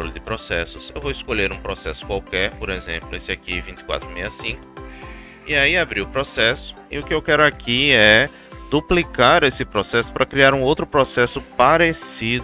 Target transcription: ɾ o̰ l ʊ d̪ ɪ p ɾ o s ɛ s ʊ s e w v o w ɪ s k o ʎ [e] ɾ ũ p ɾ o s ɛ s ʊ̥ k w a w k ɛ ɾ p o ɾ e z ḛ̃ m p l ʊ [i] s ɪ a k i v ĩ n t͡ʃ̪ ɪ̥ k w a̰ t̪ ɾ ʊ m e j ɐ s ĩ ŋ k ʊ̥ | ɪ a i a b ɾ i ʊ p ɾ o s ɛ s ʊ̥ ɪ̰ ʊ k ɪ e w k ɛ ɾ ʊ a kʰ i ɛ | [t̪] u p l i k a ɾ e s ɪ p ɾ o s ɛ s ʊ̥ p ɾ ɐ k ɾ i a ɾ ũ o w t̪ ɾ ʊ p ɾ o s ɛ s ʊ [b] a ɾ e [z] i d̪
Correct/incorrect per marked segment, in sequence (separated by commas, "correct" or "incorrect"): correct, incorrect, incorrect, incorrect, incorrect